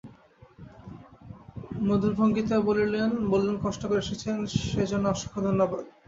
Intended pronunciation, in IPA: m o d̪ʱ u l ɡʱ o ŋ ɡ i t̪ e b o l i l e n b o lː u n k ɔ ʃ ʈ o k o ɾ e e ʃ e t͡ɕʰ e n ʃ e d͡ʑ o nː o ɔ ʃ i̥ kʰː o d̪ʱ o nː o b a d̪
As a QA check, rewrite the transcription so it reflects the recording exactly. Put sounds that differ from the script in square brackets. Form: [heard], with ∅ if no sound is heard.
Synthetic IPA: m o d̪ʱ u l [bʱ] o ŋ ɡ i t̪ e b o l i l e n b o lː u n k ɔ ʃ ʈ o k o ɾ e e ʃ e t͡ɕʰ e n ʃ e d͡ʑ o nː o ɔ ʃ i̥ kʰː o d̪ʱ o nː o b a d̪